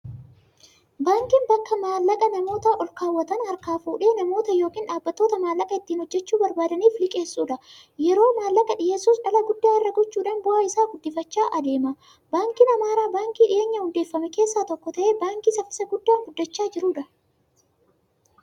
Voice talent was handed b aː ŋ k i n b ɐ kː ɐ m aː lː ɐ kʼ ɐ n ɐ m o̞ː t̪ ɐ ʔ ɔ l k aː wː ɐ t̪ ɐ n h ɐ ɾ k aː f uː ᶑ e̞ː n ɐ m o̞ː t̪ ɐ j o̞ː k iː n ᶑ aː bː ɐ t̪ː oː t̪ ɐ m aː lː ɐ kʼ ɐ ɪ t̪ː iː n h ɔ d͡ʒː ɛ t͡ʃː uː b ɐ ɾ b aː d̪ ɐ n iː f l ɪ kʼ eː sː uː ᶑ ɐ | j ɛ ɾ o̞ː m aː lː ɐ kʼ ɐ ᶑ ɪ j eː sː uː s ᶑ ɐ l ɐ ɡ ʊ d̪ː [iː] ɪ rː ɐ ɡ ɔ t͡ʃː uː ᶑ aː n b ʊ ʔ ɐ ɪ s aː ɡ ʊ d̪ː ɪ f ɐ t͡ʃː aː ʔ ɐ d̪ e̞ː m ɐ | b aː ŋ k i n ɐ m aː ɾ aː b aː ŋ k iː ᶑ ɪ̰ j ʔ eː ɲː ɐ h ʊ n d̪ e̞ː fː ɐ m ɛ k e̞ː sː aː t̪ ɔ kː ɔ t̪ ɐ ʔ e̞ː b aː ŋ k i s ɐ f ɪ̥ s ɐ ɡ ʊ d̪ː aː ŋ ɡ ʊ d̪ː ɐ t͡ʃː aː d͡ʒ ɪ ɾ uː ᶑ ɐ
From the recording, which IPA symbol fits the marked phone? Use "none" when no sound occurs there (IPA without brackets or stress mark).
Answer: aː